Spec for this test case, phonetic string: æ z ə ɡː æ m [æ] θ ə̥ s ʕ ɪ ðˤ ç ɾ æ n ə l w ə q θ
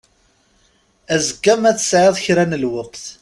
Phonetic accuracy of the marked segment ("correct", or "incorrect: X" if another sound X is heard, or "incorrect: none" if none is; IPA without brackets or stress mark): correct